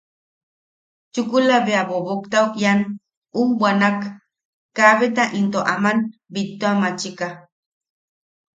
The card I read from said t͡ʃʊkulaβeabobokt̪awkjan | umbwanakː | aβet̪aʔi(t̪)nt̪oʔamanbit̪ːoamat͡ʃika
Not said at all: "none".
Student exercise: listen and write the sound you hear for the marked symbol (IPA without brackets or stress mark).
none